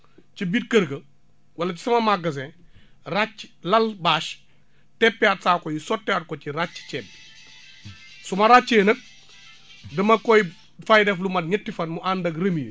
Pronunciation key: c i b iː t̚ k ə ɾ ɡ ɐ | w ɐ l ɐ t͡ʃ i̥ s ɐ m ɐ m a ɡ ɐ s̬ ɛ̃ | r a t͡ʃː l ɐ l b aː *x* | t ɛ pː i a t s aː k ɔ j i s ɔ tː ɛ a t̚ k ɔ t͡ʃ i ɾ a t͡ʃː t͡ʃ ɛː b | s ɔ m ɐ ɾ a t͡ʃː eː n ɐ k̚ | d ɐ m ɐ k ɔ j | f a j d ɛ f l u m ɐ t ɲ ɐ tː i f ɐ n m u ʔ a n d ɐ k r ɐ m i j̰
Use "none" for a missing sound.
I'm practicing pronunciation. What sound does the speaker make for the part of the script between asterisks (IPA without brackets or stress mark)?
ʃ